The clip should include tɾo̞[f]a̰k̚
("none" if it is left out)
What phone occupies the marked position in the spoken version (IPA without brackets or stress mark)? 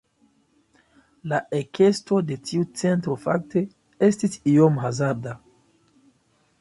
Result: f